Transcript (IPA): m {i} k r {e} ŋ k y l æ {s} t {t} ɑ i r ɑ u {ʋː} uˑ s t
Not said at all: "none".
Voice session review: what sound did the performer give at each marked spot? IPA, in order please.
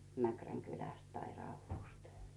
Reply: æ, æ, s, t, ʋː

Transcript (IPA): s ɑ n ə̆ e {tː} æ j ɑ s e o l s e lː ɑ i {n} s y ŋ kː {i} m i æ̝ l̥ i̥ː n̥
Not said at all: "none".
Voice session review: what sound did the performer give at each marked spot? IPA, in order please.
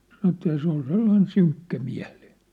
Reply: tː, n, æ

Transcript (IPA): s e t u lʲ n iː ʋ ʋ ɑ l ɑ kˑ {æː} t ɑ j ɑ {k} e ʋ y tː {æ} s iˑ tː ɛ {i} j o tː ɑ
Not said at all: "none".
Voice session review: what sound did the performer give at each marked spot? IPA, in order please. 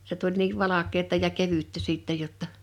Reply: eː, k, æ, j

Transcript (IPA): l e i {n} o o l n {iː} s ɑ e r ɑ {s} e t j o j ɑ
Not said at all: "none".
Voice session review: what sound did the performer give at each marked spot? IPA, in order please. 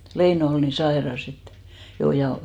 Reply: n, i, s

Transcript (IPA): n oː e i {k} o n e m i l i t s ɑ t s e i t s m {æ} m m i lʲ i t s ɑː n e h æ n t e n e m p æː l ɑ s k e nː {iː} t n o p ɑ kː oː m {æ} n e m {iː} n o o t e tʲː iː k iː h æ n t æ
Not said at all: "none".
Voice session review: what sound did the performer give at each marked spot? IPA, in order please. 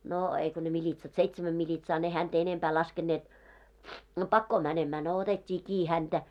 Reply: k, æ, eː, æ, æː

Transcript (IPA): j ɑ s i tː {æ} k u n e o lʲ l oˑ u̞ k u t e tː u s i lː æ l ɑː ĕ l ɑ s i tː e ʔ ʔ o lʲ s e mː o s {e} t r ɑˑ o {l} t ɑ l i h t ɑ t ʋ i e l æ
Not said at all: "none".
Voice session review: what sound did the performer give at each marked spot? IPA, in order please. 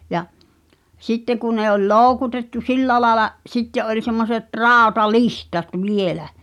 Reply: e, e, none

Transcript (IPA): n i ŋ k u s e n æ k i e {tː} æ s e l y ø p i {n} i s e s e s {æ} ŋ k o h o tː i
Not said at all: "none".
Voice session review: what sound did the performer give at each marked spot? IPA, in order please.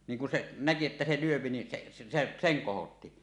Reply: tː, n, e

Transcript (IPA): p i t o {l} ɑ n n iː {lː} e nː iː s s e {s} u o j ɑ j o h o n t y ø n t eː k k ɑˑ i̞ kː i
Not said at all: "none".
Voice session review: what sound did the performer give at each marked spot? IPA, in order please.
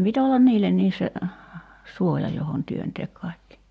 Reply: lː, lː, s

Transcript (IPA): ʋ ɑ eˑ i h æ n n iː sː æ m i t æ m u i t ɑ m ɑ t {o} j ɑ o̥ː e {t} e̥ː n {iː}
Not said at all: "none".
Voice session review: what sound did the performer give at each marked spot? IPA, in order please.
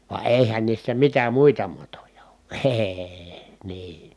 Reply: o, none, iː

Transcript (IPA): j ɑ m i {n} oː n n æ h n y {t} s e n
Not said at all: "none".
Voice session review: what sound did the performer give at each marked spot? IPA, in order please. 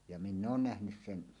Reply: nː, s

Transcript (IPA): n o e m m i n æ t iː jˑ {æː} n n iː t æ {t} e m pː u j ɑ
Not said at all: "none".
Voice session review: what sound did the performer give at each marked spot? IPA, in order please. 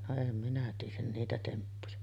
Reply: æ, t

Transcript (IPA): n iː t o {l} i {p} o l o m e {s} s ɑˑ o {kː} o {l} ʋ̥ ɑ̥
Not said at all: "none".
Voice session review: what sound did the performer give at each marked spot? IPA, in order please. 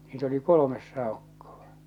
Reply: l, k, s, kː, none

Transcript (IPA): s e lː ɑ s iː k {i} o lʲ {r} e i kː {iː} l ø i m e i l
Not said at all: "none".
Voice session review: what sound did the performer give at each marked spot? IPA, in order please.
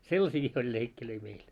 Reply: i, l, i

